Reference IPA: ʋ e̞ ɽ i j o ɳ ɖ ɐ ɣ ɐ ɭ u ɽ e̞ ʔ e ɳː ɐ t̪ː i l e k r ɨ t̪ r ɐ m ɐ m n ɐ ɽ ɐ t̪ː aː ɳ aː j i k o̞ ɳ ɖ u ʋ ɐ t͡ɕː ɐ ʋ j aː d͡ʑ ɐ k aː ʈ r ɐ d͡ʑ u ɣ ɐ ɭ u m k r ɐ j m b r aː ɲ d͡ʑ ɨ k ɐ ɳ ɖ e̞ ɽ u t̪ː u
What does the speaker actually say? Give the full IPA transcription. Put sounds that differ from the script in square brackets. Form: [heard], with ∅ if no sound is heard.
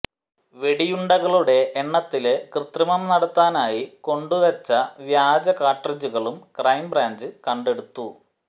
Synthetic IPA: ʋ e̞ ɽ i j [u] ɳ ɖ ɐ ɣ ɐ ɭ u ɽ e̞ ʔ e ɳː ɐ t̪ː i l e k r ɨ t̪ r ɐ m ɐ m n ɐ ɽ ɐ t̪ː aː [n] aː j i k o̞ ɳ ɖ u ʋ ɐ t͡ɕː ɐ ʋ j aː d͡ʑ ɐ k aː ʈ r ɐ d͡ʑ u ɣ ɐ ɭ u m k r ɐ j m b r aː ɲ d͡ʑ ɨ k ɐ ɳ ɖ e̞ ɽ u t̪ː u